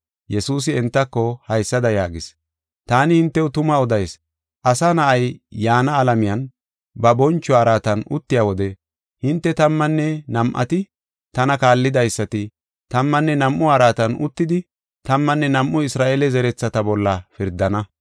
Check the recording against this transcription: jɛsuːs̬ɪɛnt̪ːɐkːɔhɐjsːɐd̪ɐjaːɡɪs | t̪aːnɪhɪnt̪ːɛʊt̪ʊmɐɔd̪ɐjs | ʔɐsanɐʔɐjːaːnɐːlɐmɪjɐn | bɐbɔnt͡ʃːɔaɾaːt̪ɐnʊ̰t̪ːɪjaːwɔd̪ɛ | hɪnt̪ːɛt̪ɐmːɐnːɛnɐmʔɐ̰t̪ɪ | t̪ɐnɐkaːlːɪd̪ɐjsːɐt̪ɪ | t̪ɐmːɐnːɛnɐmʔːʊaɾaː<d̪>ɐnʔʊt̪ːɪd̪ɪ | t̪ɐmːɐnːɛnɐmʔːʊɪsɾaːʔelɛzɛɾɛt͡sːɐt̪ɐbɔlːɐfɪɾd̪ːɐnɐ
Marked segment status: incorrect: t̪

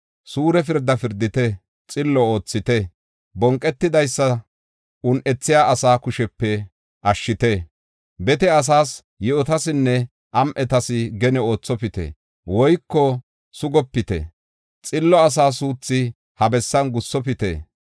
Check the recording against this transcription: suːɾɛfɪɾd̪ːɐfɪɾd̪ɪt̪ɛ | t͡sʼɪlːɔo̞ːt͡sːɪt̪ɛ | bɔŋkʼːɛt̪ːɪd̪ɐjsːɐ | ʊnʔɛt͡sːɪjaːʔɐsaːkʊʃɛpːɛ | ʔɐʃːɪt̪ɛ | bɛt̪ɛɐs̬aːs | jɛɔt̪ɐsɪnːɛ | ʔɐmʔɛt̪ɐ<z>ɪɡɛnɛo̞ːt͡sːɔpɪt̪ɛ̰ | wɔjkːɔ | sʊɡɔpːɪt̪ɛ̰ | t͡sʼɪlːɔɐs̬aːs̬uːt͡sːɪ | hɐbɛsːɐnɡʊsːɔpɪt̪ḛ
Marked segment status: incorrect: s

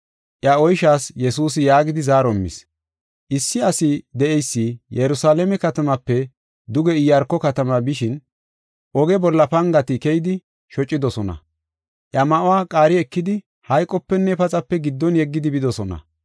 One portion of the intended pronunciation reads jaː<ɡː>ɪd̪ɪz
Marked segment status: incorrect: ɡ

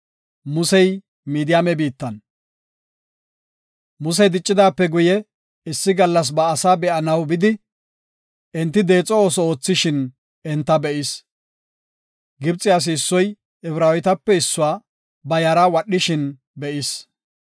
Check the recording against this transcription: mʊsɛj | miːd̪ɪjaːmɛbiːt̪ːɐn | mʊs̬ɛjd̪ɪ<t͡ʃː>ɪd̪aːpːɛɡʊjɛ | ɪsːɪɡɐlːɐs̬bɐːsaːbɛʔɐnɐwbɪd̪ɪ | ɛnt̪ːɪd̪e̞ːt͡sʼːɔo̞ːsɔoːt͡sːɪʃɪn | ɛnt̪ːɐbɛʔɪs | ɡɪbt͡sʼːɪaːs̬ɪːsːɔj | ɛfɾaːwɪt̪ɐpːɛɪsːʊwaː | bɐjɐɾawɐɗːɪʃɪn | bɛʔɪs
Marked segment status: incorrect: t͡ʃʼː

